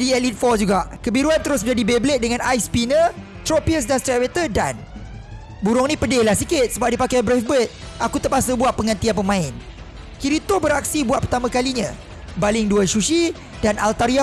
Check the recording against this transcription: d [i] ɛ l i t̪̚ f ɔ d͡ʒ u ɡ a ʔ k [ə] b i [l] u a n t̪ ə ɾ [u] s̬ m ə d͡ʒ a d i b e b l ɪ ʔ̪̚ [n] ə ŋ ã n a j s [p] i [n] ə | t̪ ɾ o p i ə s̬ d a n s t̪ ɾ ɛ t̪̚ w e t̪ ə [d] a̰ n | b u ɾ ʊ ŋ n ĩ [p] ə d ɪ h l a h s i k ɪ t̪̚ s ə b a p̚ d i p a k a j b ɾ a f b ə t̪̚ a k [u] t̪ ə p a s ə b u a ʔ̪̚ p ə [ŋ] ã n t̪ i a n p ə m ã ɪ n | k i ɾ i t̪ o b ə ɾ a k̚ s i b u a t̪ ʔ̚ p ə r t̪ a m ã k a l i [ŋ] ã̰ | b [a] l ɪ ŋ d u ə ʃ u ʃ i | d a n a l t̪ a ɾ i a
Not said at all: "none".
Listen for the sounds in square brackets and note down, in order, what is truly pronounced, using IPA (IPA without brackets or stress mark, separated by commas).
i, ə, ɾ, ʊ, d, p, n, d, p, u, ŋ, ɲ, a